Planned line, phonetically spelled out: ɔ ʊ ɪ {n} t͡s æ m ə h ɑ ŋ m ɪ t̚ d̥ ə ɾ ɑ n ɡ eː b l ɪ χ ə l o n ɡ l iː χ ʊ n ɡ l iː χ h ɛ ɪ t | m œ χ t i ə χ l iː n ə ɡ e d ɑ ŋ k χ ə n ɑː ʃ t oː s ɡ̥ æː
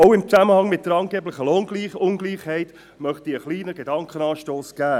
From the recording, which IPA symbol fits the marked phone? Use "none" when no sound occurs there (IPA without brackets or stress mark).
m